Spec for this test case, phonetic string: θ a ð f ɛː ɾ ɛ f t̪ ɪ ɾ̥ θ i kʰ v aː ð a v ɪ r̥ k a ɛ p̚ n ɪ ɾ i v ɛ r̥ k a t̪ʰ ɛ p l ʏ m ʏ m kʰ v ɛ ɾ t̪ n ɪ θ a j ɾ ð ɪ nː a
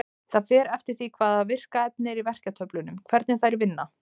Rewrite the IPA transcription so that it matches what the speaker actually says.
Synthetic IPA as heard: θ a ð f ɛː ɾ ɛ f t̪ ɪ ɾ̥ θ i kʰ v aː ð a v ɪ r̥ k a ɛ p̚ n ɪ ɾ i v ɛ r̥ c a t̪ʰ œ p l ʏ n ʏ m kʰ v ɛ ɾ t̪ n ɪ θ a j ɾ v ɪ nː a